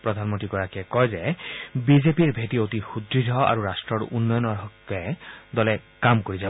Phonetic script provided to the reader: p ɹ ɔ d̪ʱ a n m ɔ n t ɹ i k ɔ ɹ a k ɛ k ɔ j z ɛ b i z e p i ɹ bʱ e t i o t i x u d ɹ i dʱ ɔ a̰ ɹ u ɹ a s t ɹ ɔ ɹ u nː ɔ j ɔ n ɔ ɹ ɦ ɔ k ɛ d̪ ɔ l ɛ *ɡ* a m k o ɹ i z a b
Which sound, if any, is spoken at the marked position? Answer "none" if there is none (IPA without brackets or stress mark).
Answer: k